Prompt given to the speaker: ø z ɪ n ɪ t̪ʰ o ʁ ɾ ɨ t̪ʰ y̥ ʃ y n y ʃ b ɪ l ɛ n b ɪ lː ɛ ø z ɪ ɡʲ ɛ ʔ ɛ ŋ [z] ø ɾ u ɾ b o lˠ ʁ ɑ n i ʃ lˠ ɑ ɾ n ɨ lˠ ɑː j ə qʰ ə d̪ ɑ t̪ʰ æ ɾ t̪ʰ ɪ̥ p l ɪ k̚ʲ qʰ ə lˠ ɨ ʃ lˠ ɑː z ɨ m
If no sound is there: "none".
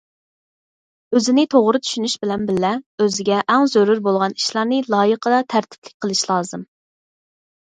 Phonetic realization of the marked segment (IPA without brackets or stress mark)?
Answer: z